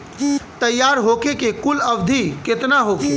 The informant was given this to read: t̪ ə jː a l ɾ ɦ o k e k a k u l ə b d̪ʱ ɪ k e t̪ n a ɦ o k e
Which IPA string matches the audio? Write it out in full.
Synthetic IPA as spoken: t̪ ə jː a ɾ ɦ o k e k e k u l ə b d̪ʱ i k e t̪ n a ɦ o k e